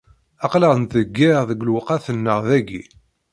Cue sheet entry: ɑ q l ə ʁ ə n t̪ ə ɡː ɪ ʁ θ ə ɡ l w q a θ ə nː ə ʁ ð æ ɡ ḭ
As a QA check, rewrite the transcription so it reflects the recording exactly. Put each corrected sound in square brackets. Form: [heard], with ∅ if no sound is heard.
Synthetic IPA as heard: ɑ q l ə ʁ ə n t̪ ə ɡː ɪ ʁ [ð] ə ɡ l w q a θ ə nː ə ʁ ð æ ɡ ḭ